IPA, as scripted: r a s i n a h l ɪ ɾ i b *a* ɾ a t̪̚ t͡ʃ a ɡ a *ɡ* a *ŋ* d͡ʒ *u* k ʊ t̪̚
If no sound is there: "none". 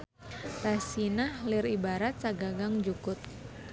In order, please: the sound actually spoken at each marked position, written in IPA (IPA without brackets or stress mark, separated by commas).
a, ɡ, ŋ, u